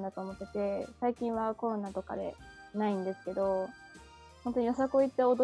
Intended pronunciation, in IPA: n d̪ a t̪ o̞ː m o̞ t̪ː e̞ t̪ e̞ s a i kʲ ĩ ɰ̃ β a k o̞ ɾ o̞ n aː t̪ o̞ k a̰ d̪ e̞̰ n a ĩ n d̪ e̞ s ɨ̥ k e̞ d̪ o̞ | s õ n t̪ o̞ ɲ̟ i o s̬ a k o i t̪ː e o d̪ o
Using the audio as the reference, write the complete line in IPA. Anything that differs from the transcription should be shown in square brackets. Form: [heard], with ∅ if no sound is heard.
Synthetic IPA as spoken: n d̪ a t̪ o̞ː m o̞ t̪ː e̞ t̪ e̞ s a i kʲ ĩ ɰ̃ β a k o̞ ɾ o̞ n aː t̪ o̞ k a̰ d̪ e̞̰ n a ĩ n d̪ e̞ s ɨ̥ k e̞ d̪ o̞ | [h] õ n t̪ o̞ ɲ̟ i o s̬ a k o i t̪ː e o d̪ o